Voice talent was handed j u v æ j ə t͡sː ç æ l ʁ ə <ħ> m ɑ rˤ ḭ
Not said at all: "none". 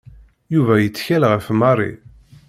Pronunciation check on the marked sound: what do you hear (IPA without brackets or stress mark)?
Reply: f